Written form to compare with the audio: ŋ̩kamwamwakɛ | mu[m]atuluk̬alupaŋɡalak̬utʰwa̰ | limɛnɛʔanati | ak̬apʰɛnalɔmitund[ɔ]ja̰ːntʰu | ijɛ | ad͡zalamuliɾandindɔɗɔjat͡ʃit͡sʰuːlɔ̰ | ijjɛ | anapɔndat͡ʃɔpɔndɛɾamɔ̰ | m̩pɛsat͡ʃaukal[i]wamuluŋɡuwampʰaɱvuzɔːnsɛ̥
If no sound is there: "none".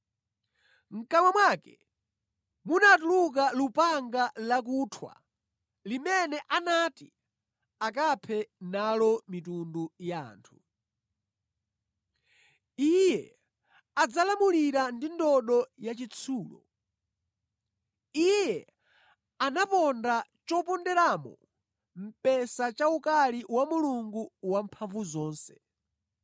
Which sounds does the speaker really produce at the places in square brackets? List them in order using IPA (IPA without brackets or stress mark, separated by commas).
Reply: n, u, i